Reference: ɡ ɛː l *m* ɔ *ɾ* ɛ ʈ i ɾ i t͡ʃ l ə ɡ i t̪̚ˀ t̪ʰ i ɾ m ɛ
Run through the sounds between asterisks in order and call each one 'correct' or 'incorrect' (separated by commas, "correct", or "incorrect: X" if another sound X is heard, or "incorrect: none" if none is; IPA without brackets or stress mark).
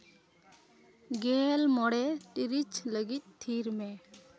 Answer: correct, incorrect: ɽ